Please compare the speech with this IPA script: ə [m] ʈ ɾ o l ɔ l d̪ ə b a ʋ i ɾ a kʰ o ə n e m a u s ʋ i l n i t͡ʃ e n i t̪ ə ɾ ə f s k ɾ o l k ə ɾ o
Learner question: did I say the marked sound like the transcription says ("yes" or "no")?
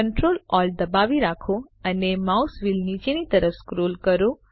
no